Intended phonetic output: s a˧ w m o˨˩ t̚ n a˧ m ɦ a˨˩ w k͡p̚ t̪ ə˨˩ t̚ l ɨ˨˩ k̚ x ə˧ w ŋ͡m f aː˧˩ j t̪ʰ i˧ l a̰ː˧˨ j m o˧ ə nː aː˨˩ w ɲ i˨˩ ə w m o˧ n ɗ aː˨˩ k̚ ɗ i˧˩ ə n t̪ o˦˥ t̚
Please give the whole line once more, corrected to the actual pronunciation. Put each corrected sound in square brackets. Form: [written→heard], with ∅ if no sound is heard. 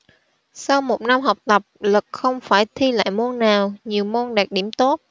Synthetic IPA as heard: s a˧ w m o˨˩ t̚ n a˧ m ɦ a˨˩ w k͡p̚ t̪ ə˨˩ [t̚→p̚] l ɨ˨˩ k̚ x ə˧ w ŋ͡m f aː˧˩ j t̪ʰ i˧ l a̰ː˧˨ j m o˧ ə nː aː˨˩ w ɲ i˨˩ ə w m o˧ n ɗ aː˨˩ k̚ ɗ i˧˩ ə [n→m] t̪ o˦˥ t̚